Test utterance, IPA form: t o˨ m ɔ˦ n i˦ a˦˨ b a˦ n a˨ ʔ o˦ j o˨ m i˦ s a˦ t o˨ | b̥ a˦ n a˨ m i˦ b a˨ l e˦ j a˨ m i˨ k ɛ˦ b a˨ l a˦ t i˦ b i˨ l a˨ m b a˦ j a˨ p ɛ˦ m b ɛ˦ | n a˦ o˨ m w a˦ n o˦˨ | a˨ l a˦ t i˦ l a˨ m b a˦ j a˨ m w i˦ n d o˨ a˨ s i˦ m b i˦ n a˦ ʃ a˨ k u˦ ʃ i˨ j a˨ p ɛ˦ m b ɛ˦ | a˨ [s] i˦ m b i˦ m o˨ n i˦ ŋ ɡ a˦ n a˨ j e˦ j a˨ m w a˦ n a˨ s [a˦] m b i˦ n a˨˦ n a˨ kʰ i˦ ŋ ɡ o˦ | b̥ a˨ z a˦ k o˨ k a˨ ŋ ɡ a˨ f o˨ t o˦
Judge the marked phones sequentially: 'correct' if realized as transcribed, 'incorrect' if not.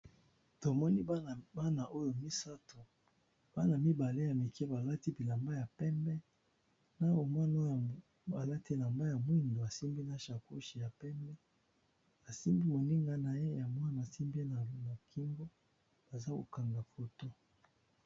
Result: correct, incorrect

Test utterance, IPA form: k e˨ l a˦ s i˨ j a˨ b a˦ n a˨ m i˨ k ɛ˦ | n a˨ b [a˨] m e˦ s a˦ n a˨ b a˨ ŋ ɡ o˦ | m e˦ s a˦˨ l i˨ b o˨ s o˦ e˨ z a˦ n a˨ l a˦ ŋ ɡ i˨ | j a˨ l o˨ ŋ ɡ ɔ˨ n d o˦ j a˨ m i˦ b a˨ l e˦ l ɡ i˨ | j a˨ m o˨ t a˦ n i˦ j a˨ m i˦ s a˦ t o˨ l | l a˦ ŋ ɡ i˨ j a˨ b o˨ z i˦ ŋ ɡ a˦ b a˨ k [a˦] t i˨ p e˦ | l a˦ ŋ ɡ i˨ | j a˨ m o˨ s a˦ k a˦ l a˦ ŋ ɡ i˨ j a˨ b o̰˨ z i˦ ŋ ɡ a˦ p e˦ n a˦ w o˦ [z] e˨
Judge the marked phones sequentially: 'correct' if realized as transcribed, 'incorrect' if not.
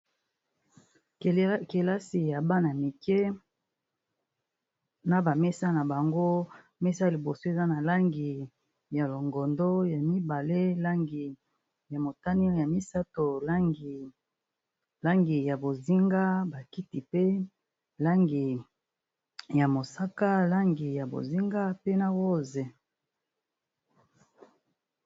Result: correct, incorrect, correct

